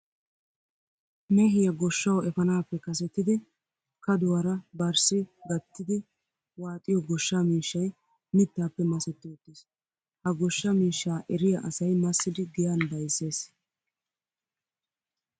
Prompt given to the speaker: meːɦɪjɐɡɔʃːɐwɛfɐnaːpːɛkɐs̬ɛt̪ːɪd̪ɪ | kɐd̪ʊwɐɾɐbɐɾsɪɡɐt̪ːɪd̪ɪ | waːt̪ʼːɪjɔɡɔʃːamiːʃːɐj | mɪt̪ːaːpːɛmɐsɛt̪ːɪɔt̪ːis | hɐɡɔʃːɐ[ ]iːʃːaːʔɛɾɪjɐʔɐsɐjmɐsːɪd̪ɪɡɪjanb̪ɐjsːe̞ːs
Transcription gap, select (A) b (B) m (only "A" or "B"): B